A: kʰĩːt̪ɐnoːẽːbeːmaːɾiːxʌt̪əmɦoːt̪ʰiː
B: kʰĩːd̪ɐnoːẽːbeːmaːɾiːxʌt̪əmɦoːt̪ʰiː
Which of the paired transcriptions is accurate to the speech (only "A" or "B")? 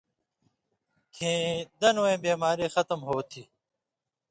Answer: B